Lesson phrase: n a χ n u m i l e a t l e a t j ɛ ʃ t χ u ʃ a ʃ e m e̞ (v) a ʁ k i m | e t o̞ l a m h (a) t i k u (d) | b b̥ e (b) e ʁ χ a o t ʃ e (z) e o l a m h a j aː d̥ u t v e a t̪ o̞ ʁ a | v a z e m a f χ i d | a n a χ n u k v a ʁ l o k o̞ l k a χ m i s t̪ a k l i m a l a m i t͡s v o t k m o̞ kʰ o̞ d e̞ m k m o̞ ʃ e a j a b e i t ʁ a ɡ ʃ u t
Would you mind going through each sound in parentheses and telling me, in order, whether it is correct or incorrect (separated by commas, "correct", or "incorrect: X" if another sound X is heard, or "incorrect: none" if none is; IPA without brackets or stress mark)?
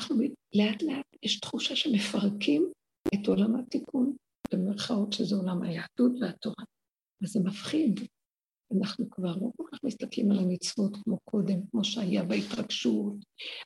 incorrect: f, correct, incorrect: n, incorrect: m, correct